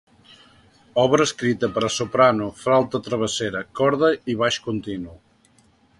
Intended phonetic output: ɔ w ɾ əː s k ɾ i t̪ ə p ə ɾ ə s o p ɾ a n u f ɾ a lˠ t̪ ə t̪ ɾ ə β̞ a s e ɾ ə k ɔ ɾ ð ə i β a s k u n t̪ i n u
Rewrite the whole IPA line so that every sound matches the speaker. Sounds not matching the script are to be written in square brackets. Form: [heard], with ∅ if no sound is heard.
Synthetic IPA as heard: ɔ [β] ɾ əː s k ɾ i t̪ ə p ə ɾ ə s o p ɾ a n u f ɾ a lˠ t̪ ə t̪ ɾ ə β̞ [ə] s e ɾ ə k ɔ ɾ ð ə i β a [ʃ] k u n t̪ i n u